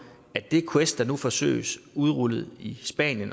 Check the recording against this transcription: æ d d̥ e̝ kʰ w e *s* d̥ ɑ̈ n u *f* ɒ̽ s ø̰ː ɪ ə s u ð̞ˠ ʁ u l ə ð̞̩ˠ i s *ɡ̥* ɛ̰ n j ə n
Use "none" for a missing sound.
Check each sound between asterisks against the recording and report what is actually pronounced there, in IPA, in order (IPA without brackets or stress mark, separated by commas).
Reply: s, f, b̥